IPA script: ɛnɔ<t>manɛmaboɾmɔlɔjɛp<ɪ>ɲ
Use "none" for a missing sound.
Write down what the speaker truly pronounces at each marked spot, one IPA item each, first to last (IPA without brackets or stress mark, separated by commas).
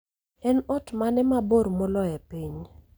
t, i